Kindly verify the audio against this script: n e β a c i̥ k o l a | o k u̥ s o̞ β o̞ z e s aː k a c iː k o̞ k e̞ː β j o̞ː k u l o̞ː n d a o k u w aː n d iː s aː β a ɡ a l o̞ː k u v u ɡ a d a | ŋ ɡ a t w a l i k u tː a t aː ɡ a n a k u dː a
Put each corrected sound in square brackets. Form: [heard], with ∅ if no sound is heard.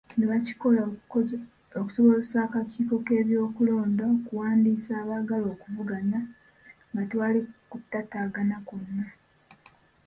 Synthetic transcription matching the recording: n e β a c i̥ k o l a | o k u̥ s o̞ β o̞ z e s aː k a c iː k o̞ k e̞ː β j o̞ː k u l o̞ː n d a o k u w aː n d iː s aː β a ɡ a l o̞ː k u v u ɡ a [n] a | ŋ ɡ a t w a l i k u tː a t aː ɡ a n a k u [nː] a